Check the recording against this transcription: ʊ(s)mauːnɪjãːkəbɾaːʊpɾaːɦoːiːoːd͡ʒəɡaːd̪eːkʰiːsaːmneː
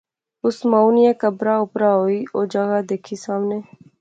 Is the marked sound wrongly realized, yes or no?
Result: no